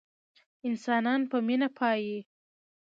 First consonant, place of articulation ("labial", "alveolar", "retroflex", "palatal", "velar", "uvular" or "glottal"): alveolar